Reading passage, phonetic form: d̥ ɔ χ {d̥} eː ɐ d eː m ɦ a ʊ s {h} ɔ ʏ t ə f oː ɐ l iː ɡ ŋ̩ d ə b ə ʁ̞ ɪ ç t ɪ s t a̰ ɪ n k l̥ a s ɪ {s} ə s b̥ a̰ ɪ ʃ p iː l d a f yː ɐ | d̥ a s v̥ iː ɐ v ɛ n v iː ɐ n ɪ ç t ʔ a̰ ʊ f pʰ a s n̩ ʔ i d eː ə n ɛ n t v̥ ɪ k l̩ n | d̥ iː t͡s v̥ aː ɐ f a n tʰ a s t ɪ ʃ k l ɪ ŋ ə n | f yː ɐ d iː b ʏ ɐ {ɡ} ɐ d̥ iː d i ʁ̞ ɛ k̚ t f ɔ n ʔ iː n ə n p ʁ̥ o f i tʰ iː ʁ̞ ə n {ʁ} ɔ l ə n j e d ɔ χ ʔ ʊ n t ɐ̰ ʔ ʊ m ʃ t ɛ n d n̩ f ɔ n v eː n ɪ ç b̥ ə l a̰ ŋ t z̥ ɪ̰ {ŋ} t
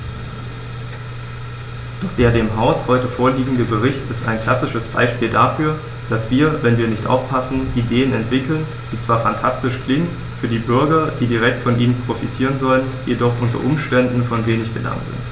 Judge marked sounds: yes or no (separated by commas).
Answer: yes, yes, no, yes, no, no